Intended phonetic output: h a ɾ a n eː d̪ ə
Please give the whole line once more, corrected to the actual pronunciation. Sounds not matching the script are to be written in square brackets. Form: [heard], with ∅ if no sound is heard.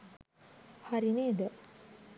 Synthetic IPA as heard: h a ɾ [i] n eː d̪ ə